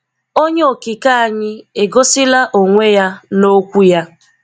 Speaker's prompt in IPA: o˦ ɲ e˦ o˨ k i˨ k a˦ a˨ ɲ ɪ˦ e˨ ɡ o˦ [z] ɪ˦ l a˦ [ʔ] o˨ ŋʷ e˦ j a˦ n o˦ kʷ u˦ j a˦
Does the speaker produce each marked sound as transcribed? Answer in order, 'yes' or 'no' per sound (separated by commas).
no, yes